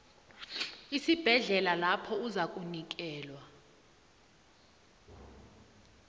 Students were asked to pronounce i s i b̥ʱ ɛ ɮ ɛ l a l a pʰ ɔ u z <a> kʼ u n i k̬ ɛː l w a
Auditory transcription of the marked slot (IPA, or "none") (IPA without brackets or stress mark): a